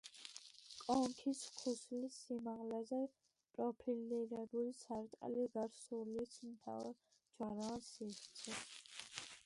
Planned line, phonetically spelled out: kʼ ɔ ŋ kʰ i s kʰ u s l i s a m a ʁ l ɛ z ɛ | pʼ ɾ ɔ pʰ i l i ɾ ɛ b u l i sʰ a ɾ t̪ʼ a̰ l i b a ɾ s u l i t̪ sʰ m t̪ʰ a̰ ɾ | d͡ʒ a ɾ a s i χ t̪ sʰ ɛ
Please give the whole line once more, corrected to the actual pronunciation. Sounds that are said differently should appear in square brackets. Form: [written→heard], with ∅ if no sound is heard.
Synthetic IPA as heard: kʼ ɔ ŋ kʰ i s kʰ u s l i s [a→i] m a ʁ l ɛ z ɛ | pʼ ɾ ɔ pʰ i l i ɾ ɛ b u l i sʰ a ɾ t̪ʼ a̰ l i [b→ɡ] a ɾ s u l i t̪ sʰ m t̪ʰ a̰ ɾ | d͡ʒ a ɾ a s i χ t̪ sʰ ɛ